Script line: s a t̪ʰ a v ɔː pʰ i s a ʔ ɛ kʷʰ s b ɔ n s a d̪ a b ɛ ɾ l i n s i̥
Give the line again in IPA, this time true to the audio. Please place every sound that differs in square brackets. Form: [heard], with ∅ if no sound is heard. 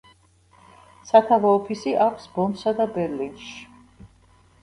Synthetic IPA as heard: s a t̪ʰ a v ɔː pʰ i s [i] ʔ [a] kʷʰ s b ɔ n s a d̪ a b ɛ ɾ l i n [ʃ] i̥

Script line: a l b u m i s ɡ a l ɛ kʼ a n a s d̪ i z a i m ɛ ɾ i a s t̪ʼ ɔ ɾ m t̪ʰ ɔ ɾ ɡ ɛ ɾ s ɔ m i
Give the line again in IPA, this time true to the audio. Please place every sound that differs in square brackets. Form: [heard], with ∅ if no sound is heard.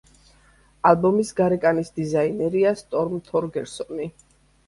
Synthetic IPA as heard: a l b [ɔ] m i s ɡ a [ɾ] ɛ kʼ a n [i] s d̪ i z a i [n] ɛ ɾ i a s t̪ʼ ɔ ɾ m t̪ʰ ɔ ɾ ɡ ɛ ɾ s ɔ [n] i

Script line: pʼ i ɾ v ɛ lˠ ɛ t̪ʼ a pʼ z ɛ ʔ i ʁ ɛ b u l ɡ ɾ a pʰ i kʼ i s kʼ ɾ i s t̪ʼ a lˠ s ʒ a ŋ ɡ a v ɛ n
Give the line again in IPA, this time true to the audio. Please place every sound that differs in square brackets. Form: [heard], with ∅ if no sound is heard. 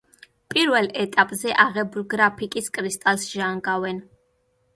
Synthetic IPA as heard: pʼ i ɾ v ɛ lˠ ɛ t̪ʼ a pʼ z ɛ ʔ [a] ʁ ɛ b u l ɡ ɾ a pʰ i kʼ i s kʼ ɾ i s t̪ʼ a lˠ s ʒ a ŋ ɡ a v ɛ n

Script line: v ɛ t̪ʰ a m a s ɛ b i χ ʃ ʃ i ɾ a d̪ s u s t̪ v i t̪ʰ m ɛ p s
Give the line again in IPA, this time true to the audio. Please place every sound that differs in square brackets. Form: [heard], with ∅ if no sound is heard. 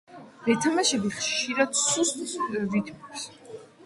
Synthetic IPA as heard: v ɛ t̪ʰ a m a [ʃ] ɛ b i χ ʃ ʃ i ɾ a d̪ s u s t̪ v i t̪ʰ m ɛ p s

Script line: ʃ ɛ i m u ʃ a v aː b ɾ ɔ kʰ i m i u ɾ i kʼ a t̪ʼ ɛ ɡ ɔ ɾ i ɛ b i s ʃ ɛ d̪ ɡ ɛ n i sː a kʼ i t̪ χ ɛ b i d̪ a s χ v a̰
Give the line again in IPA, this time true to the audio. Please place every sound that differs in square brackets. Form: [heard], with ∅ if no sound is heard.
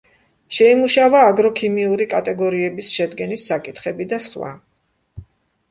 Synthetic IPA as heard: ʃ ɛ i m u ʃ a v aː [ɡ] ɾ ɔ kʰ i m i u ɾ i kʼ a t̪ʼ ɛ ɡ ɔ ɾ i ɛ b i s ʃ ɛ d̪ ɡ ɛ n i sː a kʼ i t̪ χ ɛ b i d̪ a s χ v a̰

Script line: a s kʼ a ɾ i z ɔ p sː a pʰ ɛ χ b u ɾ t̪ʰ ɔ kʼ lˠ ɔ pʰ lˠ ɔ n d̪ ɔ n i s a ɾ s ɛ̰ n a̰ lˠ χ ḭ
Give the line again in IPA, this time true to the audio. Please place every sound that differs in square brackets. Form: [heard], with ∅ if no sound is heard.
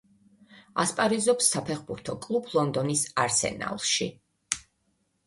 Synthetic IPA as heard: a s [pʼ] a ɾ i z ɔ p sː a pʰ ɛ χ b u ɾ t̪ʰ ɔ kʼ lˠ [u] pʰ lˠ ɔ n d̪ ɔ n i s a ɾ s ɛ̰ n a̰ lˠ [ʃ] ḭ

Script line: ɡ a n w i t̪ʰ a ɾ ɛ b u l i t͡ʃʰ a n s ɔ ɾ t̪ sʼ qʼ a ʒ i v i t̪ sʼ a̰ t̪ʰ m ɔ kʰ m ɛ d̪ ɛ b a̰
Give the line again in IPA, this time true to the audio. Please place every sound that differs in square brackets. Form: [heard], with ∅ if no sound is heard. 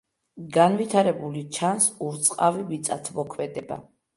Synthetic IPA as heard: ɡ a n [v] i t̪ʰ a ɾ ɛ b u l i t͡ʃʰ a n s [u] ɾ t̪ sʼ qʼ a [v] i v i t̪ sʼ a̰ t̪ʰ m ɔ kʰ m ɛ d̪ ɛ b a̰

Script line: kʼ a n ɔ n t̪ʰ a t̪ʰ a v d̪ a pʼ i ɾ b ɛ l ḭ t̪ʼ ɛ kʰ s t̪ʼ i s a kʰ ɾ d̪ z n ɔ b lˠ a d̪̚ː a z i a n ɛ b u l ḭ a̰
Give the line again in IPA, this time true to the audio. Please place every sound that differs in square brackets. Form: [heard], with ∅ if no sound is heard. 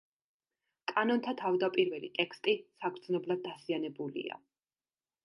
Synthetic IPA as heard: kʼ a n ɔ n t̪ʰ a t̪ʰ a v d̪ a pʼ i ɾ [v] ɛ l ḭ t̪ʼ ɛ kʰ s t̪ʼ i s a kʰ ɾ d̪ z n ɔ b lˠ a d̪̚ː a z i a n ɛ b u l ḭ a̰

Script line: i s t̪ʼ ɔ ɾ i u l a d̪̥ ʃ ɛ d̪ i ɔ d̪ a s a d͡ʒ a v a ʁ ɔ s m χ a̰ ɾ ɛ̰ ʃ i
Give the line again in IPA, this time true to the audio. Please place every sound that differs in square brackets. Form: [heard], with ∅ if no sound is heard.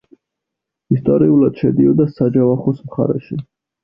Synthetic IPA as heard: i s t̪ʼ ɔ ɾ i u l a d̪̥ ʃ ɛ d̪ i ɔ d̪ a s a d͡ʒ a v a [χ] ɔ s m χ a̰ ɾ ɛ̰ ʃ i

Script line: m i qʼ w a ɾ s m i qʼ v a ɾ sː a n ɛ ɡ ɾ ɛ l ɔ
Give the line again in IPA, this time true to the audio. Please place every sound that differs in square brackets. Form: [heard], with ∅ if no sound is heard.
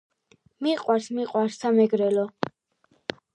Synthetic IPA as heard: m i qʼ w a ɾ s m i qʼ [w] a ɾ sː a [m] ɛ ɡ ɾ ɛ l ɔ

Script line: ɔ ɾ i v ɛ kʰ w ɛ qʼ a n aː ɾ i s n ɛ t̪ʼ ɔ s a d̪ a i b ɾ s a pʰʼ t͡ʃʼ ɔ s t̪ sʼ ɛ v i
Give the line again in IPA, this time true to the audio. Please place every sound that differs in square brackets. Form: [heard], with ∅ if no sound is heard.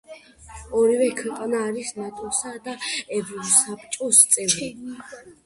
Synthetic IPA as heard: ɔ ɾ i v ɛ kʰ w ɛ qʼ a n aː ɾ i s n [a] t̪ʼ ɔ s a d̪ a [ɛ] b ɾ s a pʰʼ t͡ʃʼ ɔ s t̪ sʼ ɛ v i

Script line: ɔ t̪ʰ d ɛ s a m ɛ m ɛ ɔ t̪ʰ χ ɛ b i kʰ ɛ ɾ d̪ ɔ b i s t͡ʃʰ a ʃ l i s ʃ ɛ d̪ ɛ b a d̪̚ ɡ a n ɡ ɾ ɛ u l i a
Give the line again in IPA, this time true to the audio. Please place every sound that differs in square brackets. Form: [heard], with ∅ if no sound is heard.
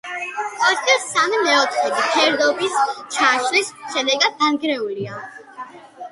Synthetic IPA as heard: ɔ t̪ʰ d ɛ s a m [i] m ɛ ɔ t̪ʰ χ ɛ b i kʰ ɛ ɾ d̪ ɔ b i s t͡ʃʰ a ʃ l i s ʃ ɛ d̪ ɛ [ɡ] a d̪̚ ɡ a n ɡ ɾ ɛ u l i a

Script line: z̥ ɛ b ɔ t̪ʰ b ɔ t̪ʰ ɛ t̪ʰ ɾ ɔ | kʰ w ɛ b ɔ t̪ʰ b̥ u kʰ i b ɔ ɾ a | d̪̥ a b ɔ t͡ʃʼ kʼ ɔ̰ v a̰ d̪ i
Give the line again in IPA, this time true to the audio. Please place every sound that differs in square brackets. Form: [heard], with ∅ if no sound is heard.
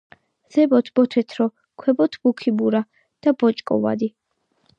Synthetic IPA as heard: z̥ ɛ b ɔ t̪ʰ b ɔ t̪ʰ ɛ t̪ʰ ɾ ɔ | kʰ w ɛ b ɔ t̪ʰ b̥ u kʰ i b [u] ɾ a | d̪̥ a b ɔ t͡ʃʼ kʼ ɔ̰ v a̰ d̪ i

